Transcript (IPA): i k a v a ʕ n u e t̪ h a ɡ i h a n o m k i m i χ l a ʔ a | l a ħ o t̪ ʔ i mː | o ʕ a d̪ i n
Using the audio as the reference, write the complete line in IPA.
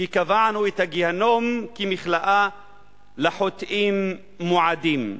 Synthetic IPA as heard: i k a v a ʕ n u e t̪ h a ɡ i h a n o m k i m i χ l a ʔ a | l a ħ o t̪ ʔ i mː | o ʕ a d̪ i m